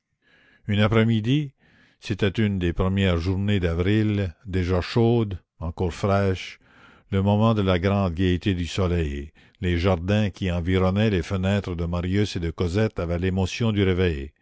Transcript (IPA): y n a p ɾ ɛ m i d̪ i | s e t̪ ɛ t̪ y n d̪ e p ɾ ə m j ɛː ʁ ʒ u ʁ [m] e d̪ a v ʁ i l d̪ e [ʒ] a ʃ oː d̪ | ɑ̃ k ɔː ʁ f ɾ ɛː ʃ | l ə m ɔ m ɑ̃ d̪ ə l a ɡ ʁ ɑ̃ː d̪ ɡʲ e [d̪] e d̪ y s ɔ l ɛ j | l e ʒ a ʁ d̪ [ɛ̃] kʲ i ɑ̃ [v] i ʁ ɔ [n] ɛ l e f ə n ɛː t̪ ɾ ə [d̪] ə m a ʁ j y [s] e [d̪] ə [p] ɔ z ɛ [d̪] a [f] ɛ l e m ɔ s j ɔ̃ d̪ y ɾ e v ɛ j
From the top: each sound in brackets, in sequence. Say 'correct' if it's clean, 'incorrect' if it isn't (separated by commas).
incorrect, correct, incorrect, correct, correct, correct, correct, correct, correct, incorrect, incorrect, incorrect